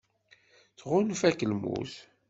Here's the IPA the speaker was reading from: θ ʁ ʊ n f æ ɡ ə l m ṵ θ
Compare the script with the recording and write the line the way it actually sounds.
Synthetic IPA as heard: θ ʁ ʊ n f æ k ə l m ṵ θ